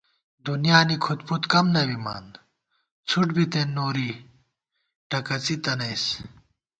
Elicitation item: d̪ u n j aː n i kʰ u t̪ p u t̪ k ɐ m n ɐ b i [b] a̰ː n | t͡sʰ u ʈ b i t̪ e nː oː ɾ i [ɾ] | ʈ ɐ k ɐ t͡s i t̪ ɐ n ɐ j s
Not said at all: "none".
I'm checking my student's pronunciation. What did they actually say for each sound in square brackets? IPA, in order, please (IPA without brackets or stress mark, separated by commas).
m, none